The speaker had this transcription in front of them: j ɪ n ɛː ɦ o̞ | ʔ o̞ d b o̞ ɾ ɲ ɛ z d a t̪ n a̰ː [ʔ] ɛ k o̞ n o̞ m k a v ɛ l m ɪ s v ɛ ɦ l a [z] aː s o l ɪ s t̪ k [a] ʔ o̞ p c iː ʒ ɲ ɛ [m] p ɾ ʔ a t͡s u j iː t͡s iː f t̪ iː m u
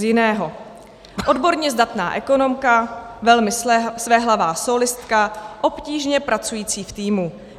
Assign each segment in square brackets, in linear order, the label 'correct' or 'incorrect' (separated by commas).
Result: correct, incorrect, correct, incorrect